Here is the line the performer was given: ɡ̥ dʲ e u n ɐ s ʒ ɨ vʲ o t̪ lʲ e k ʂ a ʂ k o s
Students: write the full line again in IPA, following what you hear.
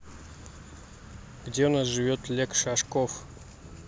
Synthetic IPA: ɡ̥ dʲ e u n a s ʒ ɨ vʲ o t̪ lʲ e k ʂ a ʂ k o f